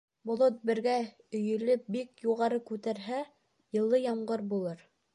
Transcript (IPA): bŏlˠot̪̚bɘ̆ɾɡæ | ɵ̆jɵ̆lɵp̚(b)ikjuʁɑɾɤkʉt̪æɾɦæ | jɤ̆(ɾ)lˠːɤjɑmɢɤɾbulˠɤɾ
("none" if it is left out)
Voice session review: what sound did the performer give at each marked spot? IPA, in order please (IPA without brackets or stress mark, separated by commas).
b, none